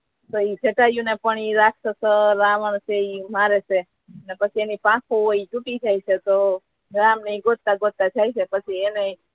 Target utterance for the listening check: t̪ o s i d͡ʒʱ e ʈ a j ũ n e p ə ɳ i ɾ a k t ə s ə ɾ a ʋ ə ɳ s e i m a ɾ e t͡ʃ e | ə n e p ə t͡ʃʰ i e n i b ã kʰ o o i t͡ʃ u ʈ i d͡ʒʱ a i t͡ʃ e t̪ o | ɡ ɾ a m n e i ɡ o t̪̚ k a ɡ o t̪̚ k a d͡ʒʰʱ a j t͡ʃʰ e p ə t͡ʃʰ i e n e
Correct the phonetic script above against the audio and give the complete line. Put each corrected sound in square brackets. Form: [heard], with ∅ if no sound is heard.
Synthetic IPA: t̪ o [∅] i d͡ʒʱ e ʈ a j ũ n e p ə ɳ i ɾ a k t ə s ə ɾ a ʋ ə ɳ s e i m a ɾ e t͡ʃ e | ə n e p ə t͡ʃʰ i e n i [p] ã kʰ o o i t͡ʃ u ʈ i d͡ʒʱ a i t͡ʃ e t̪ o | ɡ ɾ a m n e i ɡ o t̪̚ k a ɡ o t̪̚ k a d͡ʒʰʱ a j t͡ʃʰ e p ə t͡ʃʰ i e n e